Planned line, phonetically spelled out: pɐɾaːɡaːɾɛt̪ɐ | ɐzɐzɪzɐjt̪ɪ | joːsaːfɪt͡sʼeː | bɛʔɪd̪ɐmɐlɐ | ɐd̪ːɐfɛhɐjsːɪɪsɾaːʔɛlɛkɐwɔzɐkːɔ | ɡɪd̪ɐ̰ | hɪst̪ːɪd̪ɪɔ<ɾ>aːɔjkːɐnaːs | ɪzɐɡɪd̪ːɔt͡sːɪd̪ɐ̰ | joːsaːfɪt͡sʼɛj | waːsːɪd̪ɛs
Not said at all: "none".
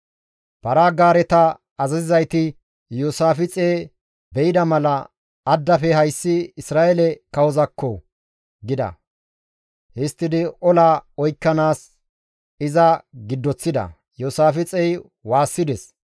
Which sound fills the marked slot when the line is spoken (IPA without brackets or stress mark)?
l